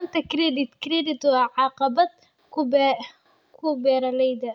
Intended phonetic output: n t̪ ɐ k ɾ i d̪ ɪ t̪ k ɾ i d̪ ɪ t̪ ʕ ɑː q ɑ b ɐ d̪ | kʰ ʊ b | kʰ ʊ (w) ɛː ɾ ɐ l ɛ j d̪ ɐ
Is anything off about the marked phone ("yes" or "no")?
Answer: yes